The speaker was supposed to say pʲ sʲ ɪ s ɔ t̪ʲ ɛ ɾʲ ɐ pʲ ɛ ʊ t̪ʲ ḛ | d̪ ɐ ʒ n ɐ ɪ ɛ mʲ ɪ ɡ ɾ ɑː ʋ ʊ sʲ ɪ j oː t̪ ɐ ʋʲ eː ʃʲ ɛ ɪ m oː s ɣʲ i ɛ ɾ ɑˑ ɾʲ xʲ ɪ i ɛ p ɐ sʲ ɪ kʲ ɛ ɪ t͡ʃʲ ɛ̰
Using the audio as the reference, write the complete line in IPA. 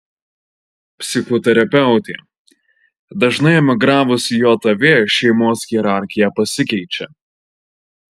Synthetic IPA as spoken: pʲ sʲ ɪ x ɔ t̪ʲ ɛ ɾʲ ɐ pʲ ɛ ʊ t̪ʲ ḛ | d̪ ɐ ʒ n ɐ ɪ ɛ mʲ ɪ ɡ ɾ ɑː ʋ ʊ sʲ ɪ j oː t̪ ɐ ʋʲ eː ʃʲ ɛ ɪ m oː s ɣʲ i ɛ ɾ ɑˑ ɾʲ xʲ ɪ j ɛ p ɐ sʲ ɪ kʲ ɛ ɪ t͡ʃʲ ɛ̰